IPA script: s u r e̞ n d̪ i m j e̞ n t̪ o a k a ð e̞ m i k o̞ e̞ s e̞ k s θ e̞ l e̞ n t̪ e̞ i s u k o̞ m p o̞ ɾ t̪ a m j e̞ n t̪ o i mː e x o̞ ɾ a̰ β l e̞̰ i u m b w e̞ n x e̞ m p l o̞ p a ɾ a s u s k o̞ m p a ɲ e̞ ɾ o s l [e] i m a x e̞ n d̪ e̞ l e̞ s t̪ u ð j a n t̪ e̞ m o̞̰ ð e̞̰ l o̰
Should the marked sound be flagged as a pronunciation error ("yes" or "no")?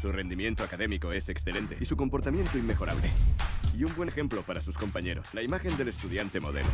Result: yes